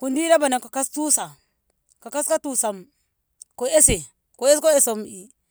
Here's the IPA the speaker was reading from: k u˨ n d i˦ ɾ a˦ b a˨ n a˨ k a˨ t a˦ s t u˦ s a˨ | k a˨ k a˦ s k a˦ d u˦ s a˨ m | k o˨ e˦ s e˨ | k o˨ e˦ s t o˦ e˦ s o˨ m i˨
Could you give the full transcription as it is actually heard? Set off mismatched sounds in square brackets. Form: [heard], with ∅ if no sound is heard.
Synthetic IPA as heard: k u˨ n d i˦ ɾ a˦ b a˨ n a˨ k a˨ [k] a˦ s t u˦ s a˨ | k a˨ k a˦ s k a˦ [t] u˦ s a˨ m | k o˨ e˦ s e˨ | k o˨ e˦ s [k] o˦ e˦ s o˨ m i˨